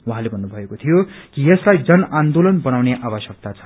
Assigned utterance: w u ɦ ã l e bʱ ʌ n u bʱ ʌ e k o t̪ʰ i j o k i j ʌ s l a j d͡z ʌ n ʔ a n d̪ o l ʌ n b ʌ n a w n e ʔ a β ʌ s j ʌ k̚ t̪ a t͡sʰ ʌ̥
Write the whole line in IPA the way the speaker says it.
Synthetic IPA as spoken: w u ɦ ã l e bʱ ʌ nː u bʱ ʌ e k o t̪ʰ i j o k i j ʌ s l a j d͡z ʌ n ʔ a n d̪ o l ʌ n b ʌ n a w n e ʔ a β ʌ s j ʌ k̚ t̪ a t͡sʰ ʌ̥